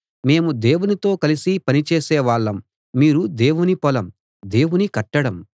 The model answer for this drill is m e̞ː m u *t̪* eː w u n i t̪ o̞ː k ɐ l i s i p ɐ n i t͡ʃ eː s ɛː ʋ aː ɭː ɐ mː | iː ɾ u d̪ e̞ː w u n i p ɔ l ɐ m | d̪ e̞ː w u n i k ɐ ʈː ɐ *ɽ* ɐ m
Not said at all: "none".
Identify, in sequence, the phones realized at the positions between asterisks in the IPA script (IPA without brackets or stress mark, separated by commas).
d̪, ɽ